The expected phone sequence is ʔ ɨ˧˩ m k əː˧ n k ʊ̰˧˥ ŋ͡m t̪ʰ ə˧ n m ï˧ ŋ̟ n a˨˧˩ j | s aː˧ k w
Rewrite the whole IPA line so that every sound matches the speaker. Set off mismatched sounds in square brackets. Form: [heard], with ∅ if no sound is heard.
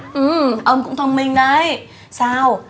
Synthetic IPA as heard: ʔ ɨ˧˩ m [ʔ] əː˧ n k ʊ̰˧˥ ŋ͡m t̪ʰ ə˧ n m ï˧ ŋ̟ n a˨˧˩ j | s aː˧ [∅] w